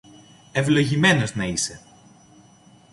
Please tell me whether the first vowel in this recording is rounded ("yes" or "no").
no